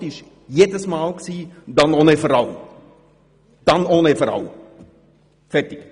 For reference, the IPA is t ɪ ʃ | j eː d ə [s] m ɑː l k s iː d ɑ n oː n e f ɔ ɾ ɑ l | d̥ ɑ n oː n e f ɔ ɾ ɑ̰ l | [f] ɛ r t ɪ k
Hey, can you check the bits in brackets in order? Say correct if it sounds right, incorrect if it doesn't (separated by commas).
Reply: correct, correct